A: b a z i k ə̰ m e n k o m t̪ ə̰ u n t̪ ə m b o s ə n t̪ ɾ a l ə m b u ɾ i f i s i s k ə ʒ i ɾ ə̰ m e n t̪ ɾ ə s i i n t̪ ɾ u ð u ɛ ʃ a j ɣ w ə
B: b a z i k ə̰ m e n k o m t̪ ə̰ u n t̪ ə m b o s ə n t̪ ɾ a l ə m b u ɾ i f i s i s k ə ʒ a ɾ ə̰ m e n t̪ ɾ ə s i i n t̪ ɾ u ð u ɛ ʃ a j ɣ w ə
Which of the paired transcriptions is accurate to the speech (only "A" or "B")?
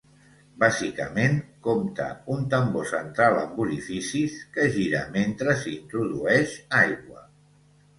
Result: A